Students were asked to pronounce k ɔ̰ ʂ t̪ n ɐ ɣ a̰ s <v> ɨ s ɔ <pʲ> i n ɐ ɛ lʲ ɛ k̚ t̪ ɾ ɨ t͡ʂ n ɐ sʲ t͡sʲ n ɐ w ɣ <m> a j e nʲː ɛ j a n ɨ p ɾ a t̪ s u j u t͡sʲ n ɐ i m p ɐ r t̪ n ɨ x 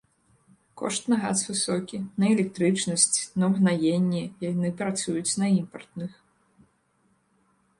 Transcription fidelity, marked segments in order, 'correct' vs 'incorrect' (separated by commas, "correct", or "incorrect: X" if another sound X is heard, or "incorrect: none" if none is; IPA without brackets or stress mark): correct, incorrect: kʲ, incorrect: n